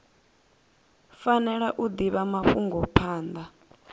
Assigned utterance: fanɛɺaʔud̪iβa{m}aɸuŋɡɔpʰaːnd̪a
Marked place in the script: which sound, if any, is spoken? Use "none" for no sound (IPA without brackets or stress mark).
m